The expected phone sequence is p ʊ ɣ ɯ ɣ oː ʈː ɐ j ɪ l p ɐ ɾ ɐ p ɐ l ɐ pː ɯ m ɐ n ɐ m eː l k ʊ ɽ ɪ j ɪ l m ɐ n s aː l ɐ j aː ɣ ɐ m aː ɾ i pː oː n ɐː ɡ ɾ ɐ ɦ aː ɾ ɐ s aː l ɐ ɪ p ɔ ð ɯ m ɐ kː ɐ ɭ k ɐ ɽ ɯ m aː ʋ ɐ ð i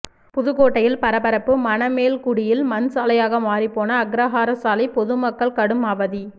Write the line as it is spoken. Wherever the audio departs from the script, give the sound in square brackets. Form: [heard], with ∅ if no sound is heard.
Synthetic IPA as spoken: p ʊ [ð] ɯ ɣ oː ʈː ɐ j ɪ l p ɐ ɾ ɐ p ɐ [ɾ] ɐ pː ɯ m ɐ n ɐ m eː l k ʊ ɽ ɪ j ɪ l m ɐ n s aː l ɐ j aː ɣ ɐ m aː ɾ i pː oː n ɐː ɡ ɾ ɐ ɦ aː ɾ ɐ s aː l ɐ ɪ p ɔ ð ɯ m ɐ kː ɐ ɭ k ɐ ɽ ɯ m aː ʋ ɐ ð i

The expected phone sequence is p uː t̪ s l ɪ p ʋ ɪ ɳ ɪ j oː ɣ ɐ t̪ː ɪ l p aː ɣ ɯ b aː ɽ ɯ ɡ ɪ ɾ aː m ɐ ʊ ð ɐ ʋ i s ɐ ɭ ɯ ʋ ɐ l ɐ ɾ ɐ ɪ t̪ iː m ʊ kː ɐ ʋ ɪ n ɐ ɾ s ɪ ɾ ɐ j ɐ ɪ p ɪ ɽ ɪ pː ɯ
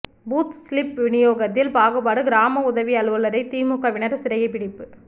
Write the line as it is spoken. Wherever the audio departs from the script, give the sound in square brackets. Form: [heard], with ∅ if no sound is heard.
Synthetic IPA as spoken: [b] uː t̪ s l ɪ p ʋ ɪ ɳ ɪ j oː ɣ ɐ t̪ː ɪ l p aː ɣ ɯ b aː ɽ ɯ ɡ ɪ ɾ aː m ɐ ʊ ð ɐ ʋ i [∅] ɐ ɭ ɯ ʋ ɐ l ɐ ɾ ɐ ɪ t̪ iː m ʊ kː ɐ ʋ ɪ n ɐ ɾ s ɪ ɾ ɐ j ɐ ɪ p ɪ ɽ ɪ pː ɯ

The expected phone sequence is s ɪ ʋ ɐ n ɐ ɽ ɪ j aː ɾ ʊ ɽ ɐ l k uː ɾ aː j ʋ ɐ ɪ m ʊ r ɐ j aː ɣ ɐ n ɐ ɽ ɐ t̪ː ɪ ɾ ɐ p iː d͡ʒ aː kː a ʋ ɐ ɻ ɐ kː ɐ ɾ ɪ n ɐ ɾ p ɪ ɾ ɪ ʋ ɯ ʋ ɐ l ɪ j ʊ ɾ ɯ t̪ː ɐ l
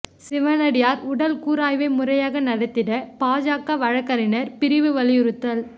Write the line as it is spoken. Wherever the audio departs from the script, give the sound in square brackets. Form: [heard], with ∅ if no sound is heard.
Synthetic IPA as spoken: s ɪ ʋ ɐ n ɐ ɽ ɪ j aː ɾ ʊ ɽ ɐ l k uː ɾ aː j ʋ ɐ ɪ m ʊ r ɐ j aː ɣ ɐ n ɐ ɽ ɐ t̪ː ɪ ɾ ɐ p [aː] d͡ʒ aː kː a ʋ ɐ ɻ ɐ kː ɐ ɾ ɪ n ɐ ɾ p ɪ ɾ ɪ ʋ ɯ ʋ ɐ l ɪ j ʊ ɾ ɯ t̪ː ɐ l

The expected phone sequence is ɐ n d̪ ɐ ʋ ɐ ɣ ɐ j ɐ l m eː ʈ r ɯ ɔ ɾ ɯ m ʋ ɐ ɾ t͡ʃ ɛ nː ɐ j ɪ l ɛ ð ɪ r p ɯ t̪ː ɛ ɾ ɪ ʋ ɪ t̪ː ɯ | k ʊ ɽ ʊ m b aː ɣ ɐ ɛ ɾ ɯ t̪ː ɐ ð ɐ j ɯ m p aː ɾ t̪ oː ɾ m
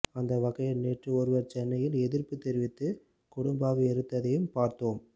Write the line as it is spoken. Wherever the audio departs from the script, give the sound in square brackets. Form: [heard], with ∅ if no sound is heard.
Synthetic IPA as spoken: ɐ n d̪ ɐ ʋ ɐ ɣ ɐ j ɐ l [n] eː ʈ r ɯ ɔ ɾ ɯ [∅] ʋ ɐ ɾ t͡ʃ ɛ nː ɐ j ɪ l ɛ ð ɪ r p ɯ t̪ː ɛ ɾ ɪ ʋ ɪ t̪ː ɯ | k ʊ ɽ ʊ m b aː ɣ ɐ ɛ ɾ ɯ t̪ː ɐ ð ɐ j ɯ m p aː ɾ t̪ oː [∅] m

